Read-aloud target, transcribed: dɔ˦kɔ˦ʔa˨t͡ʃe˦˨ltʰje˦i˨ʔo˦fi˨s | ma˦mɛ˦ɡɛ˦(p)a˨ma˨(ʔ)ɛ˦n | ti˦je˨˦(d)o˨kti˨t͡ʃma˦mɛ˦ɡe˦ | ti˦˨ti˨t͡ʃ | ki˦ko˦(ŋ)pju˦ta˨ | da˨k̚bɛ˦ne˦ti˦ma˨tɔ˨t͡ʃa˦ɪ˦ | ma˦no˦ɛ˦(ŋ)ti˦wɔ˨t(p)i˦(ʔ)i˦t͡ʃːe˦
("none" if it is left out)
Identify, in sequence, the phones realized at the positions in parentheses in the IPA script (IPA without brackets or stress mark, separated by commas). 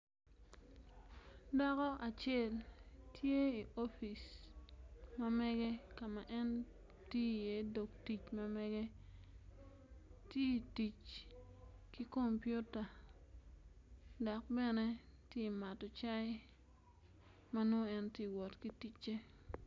k, ʔ, d, m, n, k, t